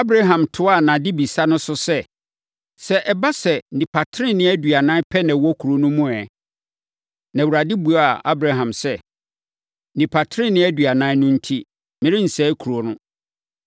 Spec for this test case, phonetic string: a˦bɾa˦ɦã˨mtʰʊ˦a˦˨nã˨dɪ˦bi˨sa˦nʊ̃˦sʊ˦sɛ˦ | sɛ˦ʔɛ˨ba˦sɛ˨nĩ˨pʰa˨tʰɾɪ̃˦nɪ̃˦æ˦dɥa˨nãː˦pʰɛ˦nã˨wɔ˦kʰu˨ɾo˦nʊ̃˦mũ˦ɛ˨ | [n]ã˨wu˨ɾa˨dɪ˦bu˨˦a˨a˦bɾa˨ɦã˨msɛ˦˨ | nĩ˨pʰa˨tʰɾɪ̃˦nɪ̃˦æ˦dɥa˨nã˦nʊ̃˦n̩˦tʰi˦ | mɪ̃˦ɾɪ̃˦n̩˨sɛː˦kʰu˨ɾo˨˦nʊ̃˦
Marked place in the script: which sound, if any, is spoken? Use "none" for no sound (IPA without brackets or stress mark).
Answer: n